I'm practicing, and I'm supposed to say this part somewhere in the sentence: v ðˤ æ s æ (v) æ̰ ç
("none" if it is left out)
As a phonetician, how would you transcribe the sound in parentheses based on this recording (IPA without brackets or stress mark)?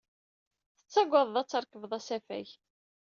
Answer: f